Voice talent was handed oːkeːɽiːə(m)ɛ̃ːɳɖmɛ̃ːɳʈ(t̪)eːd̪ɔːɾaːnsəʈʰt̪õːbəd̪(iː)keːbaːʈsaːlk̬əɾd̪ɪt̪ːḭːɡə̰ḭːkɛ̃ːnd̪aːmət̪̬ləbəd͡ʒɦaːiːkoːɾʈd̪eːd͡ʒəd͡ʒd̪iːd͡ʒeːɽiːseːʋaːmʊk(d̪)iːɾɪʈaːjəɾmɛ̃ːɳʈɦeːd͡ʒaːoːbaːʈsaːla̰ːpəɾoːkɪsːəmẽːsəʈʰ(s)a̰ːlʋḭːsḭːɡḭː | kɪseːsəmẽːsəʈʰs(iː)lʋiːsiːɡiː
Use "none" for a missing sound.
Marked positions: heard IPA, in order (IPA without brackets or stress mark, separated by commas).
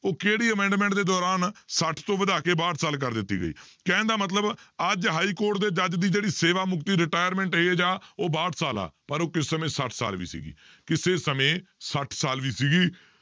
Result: m, d̪, aː, t̪, s, aː